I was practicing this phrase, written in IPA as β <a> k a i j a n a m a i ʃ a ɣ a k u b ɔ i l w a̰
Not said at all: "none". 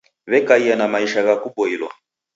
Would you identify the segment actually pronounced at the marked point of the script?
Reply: ɛ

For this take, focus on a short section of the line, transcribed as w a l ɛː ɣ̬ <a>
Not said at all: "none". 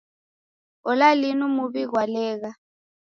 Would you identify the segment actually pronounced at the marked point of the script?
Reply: a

